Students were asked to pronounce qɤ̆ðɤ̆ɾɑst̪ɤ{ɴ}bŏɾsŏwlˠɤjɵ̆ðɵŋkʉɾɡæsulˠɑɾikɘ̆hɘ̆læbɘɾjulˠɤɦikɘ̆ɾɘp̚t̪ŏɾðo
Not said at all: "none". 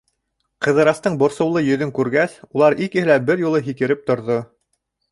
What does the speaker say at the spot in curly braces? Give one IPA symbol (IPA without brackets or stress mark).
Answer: ɴ